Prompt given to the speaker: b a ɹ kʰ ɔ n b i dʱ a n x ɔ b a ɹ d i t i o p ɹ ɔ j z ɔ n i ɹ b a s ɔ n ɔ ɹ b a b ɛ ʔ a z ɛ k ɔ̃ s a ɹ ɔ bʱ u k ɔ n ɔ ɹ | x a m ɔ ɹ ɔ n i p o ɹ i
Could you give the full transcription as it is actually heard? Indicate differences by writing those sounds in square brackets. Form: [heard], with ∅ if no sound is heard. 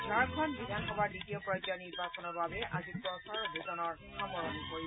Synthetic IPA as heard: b a ɹ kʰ ɔ n b i dʱ a n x ɔ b a ɹ d i t i o p ɹ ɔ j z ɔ n i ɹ b a s ɔ n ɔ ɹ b a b ɛ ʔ a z [i] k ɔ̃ s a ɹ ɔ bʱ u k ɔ n ɔ ɹ | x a m ɔ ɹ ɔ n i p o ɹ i